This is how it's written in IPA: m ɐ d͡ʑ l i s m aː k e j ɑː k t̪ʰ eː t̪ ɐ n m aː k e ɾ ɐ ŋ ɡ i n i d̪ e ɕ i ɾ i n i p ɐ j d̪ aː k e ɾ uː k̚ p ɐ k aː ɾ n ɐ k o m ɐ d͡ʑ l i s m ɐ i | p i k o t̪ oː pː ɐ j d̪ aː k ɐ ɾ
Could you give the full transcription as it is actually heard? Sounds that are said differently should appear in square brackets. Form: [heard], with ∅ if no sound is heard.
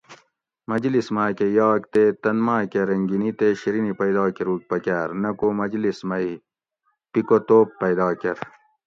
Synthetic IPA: m ɐ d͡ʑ l i s m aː k e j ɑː k [t̪] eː t̪ ɐ n m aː k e ɾ ɐ ŋ ɡ i n i [t̪] e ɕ i ɾ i n i p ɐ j d̪ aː k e ɾ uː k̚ p ɐ k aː ɾ n ɐ k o m ɐ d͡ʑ l i s m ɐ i | p i k o t̪ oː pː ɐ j d̪ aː k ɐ ɾ